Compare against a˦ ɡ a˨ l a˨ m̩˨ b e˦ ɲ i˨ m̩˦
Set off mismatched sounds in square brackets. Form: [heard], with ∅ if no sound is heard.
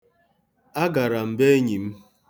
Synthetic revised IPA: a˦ ɡ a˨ [ɾ] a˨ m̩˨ b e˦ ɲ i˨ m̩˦